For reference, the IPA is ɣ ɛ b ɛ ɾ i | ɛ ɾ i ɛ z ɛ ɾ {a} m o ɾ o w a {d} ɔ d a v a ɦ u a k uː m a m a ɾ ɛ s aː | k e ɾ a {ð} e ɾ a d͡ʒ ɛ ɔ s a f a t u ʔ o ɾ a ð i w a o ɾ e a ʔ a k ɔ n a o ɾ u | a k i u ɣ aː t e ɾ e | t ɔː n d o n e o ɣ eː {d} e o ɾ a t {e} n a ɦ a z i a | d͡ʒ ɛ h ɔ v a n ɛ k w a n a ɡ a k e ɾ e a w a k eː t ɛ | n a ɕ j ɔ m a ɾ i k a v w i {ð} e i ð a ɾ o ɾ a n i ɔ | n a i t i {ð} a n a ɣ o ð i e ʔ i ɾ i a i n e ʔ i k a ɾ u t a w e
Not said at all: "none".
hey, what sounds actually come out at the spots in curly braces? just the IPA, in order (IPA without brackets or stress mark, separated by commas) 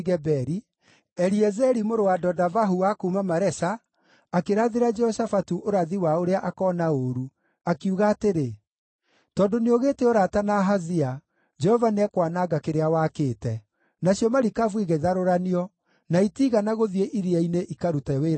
i, d, ð, t, a, ɣ, ɣ